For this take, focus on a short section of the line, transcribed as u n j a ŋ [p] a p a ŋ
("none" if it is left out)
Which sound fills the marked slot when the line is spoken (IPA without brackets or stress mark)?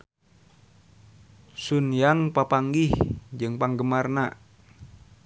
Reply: p